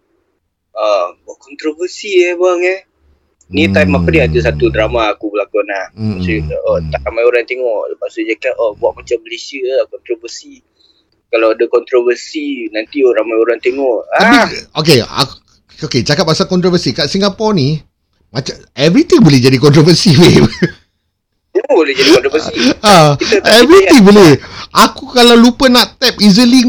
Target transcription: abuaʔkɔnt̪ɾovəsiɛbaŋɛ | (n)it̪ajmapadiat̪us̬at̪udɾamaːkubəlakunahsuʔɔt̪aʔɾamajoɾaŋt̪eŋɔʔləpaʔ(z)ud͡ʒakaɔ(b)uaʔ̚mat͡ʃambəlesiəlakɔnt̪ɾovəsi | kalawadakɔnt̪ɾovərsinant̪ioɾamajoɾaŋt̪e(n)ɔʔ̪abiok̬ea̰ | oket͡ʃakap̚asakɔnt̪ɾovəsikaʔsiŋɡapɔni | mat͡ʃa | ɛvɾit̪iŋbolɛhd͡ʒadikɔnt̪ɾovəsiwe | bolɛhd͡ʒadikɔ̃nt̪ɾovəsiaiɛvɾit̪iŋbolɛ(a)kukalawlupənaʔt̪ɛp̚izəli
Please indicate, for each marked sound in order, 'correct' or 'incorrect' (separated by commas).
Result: correct, incorrect, correct, incorrect, correct